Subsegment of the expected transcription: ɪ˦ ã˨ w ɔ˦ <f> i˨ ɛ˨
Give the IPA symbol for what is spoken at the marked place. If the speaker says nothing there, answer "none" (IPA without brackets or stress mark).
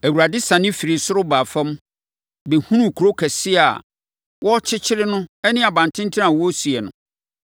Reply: s